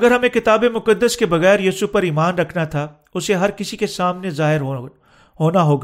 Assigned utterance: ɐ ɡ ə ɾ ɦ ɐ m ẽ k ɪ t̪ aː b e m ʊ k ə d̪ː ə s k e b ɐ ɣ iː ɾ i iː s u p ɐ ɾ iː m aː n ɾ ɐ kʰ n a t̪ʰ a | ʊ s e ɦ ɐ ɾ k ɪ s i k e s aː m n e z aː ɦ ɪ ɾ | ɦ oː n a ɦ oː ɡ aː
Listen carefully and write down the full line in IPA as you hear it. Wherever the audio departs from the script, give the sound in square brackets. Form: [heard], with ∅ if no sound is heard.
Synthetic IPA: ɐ ɡ ə ɾ ɦ ɐ m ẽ k ɪ t̪ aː b e m ʊ k ə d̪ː ə s k e b ɐ ɣ [ɛː] ɾ [j] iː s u p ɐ ɾ iː m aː n ɾ ɐ kʰ n a t̪ʰ a | ʊ s e ɦ ɐ ɾ k ɪ s i k e s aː m n e z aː ɦ ɪ ɾ | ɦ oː n a ɦ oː ɡ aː